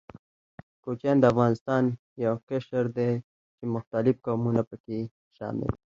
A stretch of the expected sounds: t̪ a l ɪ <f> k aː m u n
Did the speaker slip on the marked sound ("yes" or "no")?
no